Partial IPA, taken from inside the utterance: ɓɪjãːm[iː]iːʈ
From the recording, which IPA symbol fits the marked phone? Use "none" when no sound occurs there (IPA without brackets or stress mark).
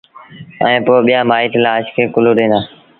aː